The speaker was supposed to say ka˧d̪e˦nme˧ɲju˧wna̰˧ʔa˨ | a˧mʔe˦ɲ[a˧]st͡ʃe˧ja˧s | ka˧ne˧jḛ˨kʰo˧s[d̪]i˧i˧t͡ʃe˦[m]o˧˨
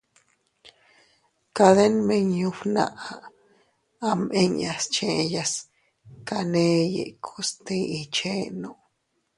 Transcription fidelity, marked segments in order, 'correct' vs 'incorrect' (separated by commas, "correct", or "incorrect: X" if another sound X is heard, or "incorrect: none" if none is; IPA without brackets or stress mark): correct, incorrect: t̪, incorrect: n